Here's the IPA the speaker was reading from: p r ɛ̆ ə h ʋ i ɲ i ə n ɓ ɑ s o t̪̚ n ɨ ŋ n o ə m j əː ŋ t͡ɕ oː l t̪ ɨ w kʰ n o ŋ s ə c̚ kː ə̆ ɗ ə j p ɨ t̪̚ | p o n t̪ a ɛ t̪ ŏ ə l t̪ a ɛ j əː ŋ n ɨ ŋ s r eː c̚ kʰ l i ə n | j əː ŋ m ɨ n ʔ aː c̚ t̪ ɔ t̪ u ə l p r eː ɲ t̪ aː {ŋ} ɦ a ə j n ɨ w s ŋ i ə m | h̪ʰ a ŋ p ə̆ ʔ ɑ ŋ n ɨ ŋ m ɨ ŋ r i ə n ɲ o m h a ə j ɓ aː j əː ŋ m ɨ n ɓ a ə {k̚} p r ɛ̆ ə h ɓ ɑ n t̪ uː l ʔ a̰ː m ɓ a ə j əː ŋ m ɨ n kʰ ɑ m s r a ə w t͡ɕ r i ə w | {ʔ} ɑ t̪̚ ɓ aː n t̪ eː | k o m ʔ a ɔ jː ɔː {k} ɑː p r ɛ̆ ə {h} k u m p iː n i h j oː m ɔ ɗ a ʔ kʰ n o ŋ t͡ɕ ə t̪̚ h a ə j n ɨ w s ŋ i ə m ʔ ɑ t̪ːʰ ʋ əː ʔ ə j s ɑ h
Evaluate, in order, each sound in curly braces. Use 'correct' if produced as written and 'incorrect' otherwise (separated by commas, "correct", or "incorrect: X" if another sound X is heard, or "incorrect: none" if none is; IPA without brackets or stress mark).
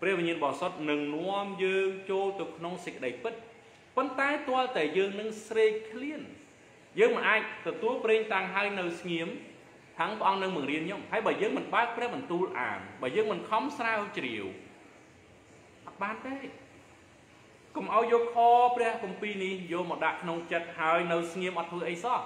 correct, correct, correct, incorrect: kʰ, correct